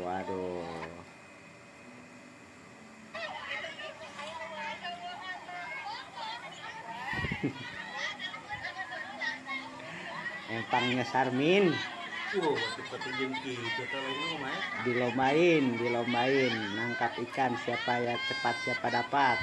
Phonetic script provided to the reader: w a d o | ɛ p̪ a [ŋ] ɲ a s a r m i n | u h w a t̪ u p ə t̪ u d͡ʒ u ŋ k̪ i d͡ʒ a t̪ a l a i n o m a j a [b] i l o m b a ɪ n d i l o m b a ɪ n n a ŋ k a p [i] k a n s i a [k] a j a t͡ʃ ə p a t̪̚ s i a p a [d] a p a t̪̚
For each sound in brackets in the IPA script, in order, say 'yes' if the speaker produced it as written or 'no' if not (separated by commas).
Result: yes, no, yes, no, yes